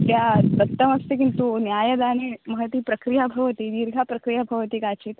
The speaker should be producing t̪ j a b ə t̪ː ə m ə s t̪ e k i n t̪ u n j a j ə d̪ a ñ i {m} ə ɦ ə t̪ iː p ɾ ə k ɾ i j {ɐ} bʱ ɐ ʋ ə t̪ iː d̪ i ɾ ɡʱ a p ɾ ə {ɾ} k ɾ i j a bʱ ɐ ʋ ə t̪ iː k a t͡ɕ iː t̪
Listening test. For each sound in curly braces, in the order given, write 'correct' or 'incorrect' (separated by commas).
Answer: correct, incorrect, incorrect